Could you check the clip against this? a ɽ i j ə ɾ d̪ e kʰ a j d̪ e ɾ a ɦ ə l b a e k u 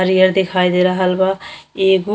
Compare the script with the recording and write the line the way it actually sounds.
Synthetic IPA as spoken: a ɾ i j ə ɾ d̪ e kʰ a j d̪ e ɾ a ɦ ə l b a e ɡ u